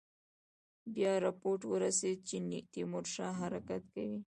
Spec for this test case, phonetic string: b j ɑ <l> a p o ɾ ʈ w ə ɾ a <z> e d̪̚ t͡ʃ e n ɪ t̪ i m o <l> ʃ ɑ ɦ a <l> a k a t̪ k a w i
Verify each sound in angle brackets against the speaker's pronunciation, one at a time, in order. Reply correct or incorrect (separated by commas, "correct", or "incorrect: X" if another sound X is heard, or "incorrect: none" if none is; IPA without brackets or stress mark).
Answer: incorrect: ɾ, incorrect: s, incorrect: ɾ, incorrect: ɾ